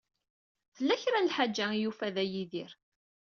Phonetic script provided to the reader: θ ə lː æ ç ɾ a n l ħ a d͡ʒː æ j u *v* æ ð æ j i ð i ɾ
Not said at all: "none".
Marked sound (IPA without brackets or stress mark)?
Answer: f